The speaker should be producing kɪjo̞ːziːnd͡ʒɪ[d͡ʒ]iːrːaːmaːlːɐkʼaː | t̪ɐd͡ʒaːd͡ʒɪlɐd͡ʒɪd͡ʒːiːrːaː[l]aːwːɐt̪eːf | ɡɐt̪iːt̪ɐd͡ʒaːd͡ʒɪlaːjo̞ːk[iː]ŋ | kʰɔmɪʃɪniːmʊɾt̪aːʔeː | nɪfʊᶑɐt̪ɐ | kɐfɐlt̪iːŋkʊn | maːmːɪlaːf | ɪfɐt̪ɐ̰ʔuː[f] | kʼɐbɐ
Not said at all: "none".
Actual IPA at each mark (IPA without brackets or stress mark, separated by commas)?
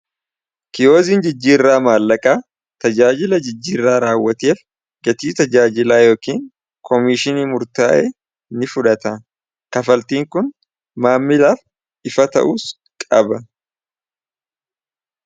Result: d͡ʒː, ɾ, iː, s